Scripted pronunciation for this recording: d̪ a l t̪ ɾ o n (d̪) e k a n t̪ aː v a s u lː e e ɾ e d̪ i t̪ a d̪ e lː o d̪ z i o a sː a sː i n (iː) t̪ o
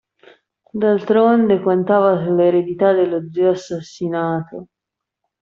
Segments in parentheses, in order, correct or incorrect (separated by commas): correct, incorrect